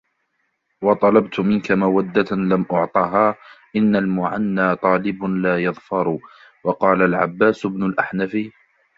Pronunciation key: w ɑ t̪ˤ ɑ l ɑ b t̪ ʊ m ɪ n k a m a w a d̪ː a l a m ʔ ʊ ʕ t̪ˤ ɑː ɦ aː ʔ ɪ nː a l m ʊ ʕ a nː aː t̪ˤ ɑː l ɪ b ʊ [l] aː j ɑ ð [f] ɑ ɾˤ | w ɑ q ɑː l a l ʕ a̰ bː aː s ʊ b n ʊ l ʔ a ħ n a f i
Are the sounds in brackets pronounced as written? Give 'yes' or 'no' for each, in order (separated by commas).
yes, yes